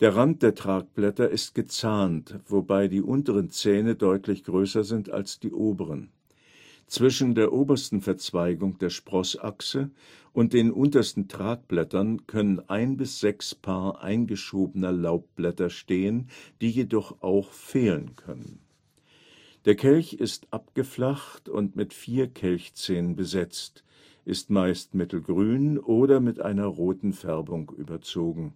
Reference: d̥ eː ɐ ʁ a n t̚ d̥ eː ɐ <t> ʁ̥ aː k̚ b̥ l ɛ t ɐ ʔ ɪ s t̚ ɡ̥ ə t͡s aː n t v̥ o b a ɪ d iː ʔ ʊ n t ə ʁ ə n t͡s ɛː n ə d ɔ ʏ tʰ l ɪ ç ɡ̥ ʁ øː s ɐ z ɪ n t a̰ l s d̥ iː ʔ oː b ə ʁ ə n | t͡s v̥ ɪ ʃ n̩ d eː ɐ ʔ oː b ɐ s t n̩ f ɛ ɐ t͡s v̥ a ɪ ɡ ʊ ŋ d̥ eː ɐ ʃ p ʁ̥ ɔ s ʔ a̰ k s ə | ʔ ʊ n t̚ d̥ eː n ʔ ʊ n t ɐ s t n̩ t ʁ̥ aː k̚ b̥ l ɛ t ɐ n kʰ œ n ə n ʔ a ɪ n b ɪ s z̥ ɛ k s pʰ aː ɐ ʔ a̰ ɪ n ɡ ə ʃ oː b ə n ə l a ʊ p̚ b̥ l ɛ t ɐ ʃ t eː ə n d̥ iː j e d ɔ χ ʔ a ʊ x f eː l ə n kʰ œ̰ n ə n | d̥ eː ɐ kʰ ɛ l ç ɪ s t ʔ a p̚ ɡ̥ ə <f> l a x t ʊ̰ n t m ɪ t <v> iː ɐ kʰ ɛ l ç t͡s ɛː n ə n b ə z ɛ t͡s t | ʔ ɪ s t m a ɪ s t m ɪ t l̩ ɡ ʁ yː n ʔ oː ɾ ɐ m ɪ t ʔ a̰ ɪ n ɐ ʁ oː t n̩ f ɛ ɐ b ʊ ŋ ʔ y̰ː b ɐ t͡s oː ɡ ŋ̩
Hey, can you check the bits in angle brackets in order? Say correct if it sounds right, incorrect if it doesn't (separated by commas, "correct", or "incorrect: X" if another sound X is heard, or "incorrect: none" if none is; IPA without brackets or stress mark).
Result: correct, correct, incorrect: f